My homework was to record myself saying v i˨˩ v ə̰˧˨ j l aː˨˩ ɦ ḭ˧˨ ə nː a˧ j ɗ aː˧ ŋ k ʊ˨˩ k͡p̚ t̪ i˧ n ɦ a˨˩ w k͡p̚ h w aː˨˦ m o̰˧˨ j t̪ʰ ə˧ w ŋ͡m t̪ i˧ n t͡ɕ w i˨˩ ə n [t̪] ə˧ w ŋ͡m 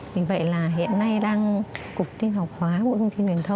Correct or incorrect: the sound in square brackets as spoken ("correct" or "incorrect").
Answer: incorrect